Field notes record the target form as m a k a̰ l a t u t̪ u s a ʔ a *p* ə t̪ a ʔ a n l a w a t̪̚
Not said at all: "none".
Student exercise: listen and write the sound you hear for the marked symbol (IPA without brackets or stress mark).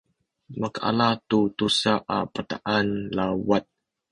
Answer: p